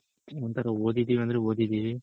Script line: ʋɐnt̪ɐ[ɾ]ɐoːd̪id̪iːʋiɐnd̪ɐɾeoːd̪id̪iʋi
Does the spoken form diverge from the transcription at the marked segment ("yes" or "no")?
no